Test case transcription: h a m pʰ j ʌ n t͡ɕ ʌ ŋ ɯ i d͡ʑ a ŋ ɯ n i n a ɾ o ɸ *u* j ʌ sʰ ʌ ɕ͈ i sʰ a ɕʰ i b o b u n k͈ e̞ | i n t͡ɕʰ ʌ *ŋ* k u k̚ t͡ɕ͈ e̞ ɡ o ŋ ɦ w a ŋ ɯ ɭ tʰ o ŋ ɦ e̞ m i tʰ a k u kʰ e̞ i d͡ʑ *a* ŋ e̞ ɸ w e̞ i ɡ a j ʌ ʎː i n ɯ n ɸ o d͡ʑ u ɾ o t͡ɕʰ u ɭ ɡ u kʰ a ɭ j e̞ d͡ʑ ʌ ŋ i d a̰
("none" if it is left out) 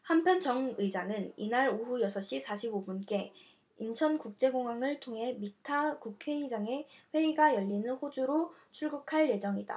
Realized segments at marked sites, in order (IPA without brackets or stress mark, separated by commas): u, n, a